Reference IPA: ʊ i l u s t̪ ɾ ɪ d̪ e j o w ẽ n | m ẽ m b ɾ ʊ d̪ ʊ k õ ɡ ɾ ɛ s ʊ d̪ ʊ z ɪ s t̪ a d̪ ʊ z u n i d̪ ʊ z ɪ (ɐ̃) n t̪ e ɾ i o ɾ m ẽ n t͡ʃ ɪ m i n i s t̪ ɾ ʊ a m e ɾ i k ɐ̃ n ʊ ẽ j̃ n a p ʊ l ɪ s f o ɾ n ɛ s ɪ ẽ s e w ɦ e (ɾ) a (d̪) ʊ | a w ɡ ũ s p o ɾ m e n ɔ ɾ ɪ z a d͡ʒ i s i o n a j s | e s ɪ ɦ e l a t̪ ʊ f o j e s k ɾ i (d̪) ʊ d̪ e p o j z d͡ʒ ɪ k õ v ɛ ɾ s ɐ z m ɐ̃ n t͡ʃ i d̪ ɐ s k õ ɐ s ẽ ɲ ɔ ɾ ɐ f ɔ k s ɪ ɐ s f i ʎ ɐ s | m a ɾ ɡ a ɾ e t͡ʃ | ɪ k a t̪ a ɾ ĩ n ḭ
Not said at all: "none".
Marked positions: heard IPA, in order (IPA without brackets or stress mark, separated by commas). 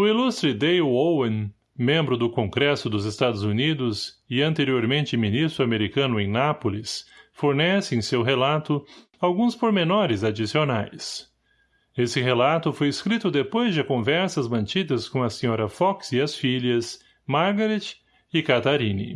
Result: ɐ̃, l, t̪, t̪